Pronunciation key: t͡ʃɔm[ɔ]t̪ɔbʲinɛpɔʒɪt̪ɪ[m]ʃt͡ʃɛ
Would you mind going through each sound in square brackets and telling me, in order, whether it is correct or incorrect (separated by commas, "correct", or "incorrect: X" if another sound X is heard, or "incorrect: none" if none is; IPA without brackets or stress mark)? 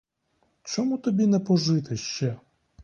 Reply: incorrect: u, incorrect: none